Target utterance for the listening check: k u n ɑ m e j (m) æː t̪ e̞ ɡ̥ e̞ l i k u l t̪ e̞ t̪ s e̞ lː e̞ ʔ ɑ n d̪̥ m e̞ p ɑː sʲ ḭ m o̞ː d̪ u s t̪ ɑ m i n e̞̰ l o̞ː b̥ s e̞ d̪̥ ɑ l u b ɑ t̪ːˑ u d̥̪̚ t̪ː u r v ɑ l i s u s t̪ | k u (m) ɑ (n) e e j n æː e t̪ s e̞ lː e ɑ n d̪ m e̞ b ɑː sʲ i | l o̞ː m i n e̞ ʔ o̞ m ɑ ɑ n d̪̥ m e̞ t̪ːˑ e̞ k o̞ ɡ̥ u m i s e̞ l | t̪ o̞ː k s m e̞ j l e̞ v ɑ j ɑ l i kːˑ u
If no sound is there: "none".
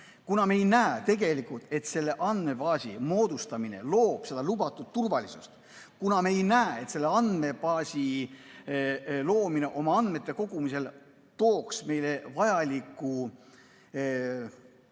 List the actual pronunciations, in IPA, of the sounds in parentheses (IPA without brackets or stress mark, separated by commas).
n, n, m